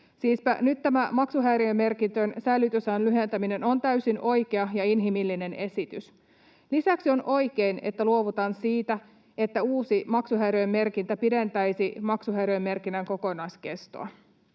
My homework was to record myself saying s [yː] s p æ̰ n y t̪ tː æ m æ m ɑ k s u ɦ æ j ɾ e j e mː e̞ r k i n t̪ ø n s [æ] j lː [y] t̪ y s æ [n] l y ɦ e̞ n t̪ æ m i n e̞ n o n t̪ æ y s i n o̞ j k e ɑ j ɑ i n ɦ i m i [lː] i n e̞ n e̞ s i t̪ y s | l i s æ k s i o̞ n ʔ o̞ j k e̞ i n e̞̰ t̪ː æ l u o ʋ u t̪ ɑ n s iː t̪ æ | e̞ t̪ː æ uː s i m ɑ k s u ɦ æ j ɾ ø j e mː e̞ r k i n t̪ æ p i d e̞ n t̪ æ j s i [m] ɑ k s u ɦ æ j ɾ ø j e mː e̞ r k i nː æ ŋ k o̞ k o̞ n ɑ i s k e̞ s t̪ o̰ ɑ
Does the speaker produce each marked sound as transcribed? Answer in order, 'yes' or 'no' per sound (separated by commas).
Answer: no, yes, yes, yes, yes, yes